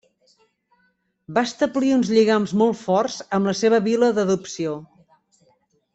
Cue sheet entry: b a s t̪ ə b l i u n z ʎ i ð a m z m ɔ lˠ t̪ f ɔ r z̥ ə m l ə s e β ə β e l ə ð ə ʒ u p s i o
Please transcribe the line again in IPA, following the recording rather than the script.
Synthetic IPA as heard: b a s t̪ ə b l i u n z ʎ i ɣ a m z m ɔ lˠ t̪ f ɔ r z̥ ə m l ə s e β ə β i l ə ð ə ð u p s i o